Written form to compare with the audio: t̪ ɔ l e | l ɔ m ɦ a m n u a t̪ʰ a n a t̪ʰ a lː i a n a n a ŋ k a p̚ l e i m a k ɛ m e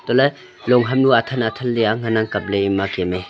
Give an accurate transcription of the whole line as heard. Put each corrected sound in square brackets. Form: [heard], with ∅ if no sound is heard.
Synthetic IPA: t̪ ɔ l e | l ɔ [ŋ] ɦ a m n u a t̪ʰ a n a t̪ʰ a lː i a [ŋ] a n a ŋ k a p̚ l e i m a k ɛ m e